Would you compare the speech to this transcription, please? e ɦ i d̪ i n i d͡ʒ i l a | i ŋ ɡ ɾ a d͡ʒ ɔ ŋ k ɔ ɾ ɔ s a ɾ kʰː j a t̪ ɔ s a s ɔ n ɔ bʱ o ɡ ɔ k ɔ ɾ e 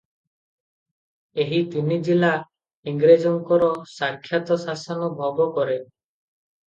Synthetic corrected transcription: e ɦ i t̪ i n i d͡ʒ i l a | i ŋ ɡ ɾ e d͡ʒ ɔ ŋ k ɔ ɾ ɔ s a ɾ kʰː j a t̪ ɔ s a s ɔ n ɔ bʱ ɔ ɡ ɔ k ɔ ɾ e

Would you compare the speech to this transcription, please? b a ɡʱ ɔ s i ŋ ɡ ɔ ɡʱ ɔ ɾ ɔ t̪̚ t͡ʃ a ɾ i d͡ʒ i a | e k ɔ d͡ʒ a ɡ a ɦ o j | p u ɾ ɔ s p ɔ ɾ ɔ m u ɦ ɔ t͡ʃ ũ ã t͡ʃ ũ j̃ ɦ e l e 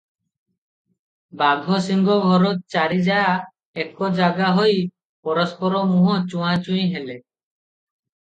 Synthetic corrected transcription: b a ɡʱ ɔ s i ŋ ɡ ɔ ɡʱ ɔ ɾ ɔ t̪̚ t͡ʃ a ɾ i d͡ʒ a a | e k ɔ d͡ʒ a ɡ a ɦ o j | p ɔ ɾ ɔ s p ɔ ɾ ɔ m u ɦ ɔ t͡ʃ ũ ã t͡ʃ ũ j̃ ɦ e l e

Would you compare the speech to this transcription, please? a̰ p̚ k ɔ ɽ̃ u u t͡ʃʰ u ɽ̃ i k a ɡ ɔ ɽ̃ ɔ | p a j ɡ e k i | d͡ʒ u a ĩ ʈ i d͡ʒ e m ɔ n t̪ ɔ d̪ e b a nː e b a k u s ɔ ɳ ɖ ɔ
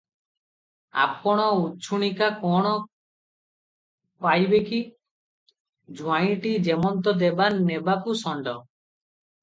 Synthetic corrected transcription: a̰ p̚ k ɔ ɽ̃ ɔ u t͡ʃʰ u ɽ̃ i k a k ɔ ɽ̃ ɔ | p a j b e k i | d͡ʒ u a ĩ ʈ i d͡ʒ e m ɔ n t̪ ɔ d̪ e b a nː e b a k u s ɔ ɳ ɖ ɔ

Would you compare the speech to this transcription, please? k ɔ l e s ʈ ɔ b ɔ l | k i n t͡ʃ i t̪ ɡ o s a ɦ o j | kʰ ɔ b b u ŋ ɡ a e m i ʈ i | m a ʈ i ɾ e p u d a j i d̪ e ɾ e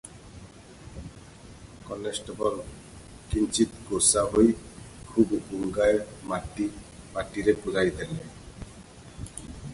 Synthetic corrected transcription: k ɔ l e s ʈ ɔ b ɔ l | k i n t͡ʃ i t̪ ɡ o s a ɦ o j | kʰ u b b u ŋ ɡ a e m a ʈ i | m a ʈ i ɾ e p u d a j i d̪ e l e

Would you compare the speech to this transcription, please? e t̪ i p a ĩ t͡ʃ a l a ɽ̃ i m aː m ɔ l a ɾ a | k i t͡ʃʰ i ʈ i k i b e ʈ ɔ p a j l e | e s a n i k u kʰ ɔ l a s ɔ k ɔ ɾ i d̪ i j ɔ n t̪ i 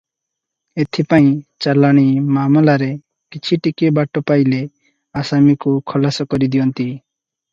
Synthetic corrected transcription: e t̪ʰ i p a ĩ t͡ʃ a l a ɽ̃ i m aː m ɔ l a ɾ e | k i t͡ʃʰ i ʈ i k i b a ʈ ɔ p a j l e | a s a m i k u kʰ ɔ l a s ɔ k ɔ ɾ i d̪ i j ɔ n t̪ i

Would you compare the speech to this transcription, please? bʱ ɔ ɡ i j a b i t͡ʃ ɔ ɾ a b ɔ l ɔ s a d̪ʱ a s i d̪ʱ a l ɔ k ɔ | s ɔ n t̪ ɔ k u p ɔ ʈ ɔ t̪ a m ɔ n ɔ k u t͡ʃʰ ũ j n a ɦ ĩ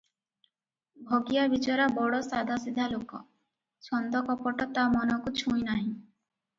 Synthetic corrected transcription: bʱ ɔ ɡ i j a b i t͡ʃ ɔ ɾ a b ɔ ɽ ɔ s a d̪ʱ a s i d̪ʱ a l o k ɔ | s ɔ n d̪ ɔ k ɔ p ɔ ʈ ɔ t̪ a m ɔ n ɔ k u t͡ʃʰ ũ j n a ɦ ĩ

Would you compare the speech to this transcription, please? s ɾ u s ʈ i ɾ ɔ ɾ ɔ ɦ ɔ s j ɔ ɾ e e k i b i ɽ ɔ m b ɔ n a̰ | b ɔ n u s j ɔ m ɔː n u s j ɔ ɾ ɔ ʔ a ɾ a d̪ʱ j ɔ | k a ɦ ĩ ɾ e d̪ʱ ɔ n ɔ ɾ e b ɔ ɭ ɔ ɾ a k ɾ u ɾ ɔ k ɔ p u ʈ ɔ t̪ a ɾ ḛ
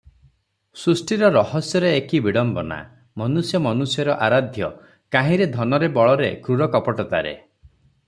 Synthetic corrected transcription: s ɾ u s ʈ i ɾ ɔ ɾ ɔ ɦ ɔ s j ɔ ɾ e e k i b i ɽ ɔ m b ɔ n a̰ | m ɔ n u s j ɔ m ɔ n u s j ɔ ɾ ɔ ʔ a ɾ a d̪ʱ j ɔ | k a ɦ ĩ ɾ e d̪ʱ ɔ n ɔ ɾ e b ɔ ɭ ɔ ɾ e k ɾ u ɾ ɔ k ɔ p ɔ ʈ ɔ t̪ a ɾ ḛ

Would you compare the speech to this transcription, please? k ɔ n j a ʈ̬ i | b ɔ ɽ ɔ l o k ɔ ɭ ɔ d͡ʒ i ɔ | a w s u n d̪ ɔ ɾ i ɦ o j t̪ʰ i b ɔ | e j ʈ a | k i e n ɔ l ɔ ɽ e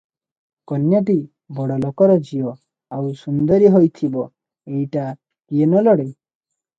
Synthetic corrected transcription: k ɔ n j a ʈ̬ i | b ɔ ɽ ɔ l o k ɔ ɾ ɔ d͡ʒ i ɔ | a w s u n d̪ ɔ ɾ i ɦ o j t̪ʰ i b ɔ | e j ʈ a | k i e n ɔ l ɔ ɽ e

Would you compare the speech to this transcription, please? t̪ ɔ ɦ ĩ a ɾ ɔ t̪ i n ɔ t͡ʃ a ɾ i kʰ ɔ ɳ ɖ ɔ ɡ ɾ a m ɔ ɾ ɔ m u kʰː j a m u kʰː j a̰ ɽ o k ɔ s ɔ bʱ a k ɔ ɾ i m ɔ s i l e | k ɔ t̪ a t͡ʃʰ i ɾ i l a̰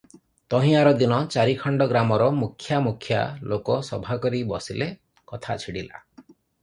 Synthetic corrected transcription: t̪ ɔ ɦ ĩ a ɾ ɔ d̪ i n ɔ t͡ʃ a ɾ i kʰ ɔ ɳ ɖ ɔ ɡ ɾ a m ɔ ɾ ɔ m u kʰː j a m u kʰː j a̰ l o k ɔ s ɔ bʱ a k ɔ ɾ i b ɔ s i l e | k ɔ t̪ʰ a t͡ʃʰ i ɽ i l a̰

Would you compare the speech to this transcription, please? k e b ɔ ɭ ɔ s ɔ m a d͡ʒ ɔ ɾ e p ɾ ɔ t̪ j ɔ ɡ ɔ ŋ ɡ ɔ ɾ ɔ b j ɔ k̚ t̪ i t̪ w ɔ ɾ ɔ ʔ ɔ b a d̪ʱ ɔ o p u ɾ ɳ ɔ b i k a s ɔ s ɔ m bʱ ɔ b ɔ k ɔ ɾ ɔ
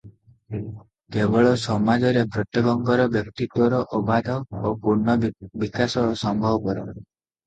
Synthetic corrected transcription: k e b ɔ ɭ ɔ s ɔ m a d͡ʒ ɔ ɾ e p ɾ ɔ t̪ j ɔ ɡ ɔ ŋ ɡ ɔ ɾ ɔ b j ɔ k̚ t̪ i t̪ w ɔ ɾ ɔ ʔ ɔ b a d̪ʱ ɔ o p u ɾ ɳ ɔ b i k a s ɔ s ɔ m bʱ ɔ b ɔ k ɔ ɾ ɔ

